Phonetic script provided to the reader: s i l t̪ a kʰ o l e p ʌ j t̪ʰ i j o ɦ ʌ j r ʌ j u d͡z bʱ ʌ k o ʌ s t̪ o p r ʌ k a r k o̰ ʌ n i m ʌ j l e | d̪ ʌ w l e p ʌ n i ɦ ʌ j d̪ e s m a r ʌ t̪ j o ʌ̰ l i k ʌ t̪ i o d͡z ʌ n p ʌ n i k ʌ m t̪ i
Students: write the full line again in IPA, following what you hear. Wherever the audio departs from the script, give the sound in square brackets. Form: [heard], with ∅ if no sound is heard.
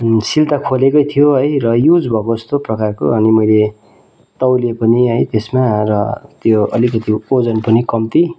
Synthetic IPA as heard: s i l t̪ a kʰ o l e [k] ʌ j t̪ʰ i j o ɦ ʌ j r ʌ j u d͡z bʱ ʌ k o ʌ s t̪ o p r ʌ k a r k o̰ ʌ n i m ʌ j l e | [t̪] ʌ w l e p ʌ n i ɦ ʌ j [t̪] e s m a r ʌ t̪ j o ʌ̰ l i k ʌ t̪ i o d͡z ʌ n p ʌ n i k ʌ m t̪ i